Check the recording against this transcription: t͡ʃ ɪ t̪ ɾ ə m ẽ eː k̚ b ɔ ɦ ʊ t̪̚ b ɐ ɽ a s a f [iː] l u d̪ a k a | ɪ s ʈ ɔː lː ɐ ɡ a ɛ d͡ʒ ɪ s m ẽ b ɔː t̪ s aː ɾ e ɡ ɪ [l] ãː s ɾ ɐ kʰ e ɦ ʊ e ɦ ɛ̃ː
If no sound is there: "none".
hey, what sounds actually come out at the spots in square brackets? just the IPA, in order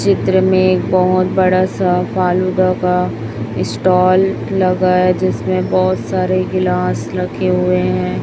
aː, l

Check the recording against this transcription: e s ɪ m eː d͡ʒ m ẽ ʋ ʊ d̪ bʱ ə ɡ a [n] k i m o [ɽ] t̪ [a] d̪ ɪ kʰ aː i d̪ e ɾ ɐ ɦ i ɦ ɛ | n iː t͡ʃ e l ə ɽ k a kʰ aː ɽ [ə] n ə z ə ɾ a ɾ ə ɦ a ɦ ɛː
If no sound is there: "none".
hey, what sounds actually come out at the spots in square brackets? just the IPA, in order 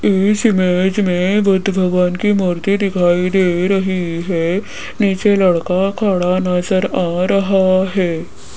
n, ɾ, i, a

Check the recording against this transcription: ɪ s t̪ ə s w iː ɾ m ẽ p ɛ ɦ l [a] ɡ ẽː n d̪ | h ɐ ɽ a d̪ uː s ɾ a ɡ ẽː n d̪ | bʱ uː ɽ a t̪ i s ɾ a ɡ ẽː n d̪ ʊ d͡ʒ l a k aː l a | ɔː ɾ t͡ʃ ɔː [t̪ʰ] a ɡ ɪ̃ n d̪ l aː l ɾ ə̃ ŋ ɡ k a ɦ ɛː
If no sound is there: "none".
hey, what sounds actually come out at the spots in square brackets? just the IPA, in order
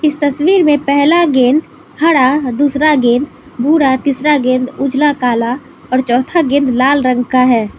a, t̪ʰ

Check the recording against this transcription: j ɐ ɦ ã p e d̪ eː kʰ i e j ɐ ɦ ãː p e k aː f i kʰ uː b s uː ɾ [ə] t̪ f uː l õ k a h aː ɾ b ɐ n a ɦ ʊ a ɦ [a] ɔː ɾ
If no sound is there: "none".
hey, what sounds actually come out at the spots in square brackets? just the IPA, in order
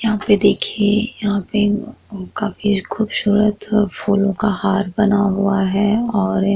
ə, ɛ

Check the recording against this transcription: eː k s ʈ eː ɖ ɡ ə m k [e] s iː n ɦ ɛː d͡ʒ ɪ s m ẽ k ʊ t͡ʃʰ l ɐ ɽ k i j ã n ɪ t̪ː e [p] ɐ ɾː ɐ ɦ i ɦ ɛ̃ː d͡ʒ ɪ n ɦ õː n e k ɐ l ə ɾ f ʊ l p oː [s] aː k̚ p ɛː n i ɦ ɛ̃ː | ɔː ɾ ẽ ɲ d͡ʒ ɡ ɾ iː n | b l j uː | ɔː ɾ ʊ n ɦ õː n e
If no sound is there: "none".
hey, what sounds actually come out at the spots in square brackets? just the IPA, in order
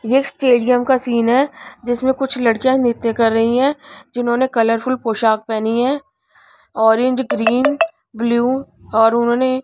a, k, ʃ

